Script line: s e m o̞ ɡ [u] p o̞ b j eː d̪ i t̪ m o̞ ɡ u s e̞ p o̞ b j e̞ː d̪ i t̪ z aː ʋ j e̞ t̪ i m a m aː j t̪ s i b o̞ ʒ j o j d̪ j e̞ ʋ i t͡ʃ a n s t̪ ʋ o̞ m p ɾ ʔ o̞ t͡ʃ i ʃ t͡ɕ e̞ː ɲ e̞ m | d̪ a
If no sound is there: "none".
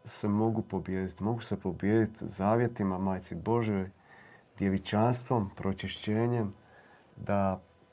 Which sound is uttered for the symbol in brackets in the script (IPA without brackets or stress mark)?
u